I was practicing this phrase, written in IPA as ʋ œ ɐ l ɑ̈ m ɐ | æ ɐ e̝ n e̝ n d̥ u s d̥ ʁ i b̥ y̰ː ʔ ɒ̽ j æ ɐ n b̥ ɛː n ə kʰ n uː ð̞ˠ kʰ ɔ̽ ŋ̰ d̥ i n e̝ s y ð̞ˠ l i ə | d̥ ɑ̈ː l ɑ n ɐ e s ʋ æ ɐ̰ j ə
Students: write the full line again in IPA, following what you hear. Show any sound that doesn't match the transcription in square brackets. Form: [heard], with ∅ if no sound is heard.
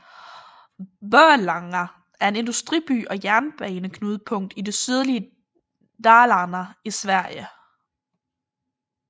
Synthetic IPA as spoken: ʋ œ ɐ l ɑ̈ [ŋ] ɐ | æ ɐ e̝ n e̝ n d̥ u s d̥ ʁ i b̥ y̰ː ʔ ɒ̽ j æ ɐ n b̥ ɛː n ə kʰ n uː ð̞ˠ [pʰ] ɔ̽ ŋ̰ d̥ i [d] e̝ s y ð̞ˠ l i ə | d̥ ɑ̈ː l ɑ n ɐ [i] s ʋ æ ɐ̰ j ə